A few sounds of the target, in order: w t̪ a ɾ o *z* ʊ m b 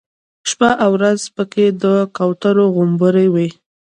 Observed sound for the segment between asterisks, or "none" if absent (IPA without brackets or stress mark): ɣ